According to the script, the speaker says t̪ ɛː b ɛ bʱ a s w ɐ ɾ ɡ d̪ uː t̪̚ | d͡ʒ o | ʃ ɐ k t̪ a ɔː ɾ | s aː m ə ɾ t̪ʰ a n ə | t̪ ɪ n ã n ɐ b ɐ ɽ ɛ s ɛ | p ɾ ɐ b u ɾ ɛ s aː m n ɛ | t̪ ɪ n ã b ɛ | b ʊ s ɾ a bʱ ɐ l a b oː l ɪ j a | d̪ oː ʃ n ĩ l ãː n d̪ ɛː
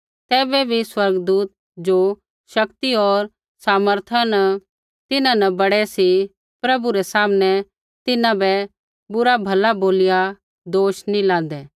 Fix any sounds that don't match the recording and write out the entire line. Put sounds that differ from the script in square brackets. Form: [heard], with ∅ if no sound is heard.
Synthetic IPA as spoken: t̪ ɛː b ɛ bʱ [i] s w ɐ ɾ ɡ d̪ uː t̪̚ | d͡ʒ o | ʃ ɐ k t̪ [i] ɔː ɾ | s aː m ə ɾ t̪ʰ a n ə | t̪ ɪ n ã n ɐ b ɐ ɽ ɛ s [i] | p ɾ ɐ b u ɾ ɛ s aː m n ɛ | t̪ ɪ n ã b ɛ | b ʊ [∅] ɾ a bʱ ɐ l a b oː l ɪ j a | d̪ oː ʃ n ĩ l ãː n d̪ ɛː